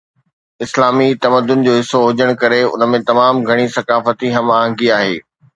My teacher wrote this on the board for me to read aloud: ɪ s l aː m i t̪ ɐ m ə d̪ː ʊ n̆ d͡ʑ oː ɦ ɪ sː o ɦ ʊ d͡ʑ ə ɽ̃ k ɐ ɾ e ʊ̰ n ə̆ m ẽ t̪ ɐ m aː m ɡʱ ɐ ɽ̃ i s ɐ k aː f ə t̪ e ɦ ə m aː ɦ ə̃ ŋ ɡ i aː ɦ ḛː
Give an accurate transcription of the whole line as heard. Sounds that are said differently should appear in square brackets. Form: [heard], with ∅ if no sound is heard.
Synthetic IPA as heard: ɪ s l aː m i t̪ ɐ m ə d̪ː ʊ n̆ d͡ʑ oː ɦ ɪ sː o ɦ ʊ d͡ʑ ə ɽ̃ k ɐ ɾ e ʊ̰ n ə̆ m ẽ t̪ ɐ m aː m ɡʱ ɐ ɽ̃ i s ɐ k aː f ə t̪ [i] ɦ [ɐ] m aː ɦ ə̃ ŋ ɡ i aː ɦ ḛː